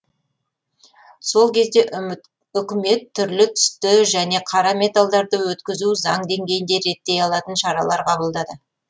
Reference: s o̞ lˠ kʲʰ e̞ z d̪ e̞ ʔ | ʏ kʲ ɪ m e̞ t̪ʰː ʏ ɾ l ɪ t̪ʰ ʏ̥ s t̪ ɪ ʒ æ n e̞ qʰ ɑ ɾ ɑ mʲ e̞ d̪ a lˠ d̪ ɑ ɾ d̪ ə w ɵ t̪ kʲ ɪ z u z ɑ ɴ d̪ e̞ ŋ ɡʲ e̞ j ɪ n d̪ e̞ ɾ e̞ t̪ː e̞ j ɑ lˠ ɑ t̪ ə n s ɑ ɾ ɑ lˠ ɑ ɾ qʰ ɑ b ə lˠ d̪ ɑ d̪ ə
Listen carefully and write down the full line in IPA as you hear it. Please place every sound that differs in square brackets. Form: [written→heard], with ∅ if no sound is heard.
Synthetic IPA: s o̞ lˠ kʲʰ e̞ z d̪ e̞ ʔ | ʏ kʲ ɪ m e̞ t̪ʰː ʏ ɾ l ɪ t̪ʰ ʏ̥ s t̪ ɪ ʒ æ n e̞ qʰ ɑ ɾ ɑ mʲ e̞ [d̪→t̪] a lˠ d̪ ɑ ɾ d̪ ə w ɵ t̪ kʲ ɪ z u z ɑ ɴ d̪ e̞ ŋ ɡʲ e̞ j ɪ n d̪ e̞ ɾ e̞ t̪ː e̞ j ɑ lˠ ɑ t̪ ə n [s→ʃ] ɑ ɾ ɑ lˠ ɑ ɾ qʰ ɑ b ə lˠ d̪ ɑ d̪ ə